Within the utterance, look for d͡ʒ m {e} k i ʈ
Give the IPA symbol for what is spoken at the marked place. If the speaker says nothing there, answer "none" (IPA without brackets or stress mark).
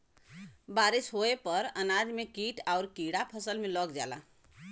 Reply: e